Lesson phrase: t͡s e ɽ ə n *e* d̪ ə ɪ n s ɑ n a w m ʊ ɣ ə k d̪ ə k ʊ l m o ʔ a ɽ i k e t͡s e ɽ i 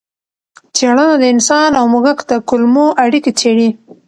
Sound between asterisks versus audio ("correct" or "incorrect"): incorrect